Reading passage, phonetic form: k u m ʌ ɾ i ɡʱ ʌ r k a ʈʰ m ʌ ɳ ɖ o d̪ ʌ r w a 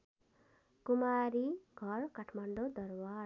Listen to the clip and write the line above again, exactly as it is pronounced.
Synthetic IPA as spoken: k u m a ɾ i ɡʱ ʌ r k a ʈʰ m a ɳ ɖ o d̪ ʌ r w a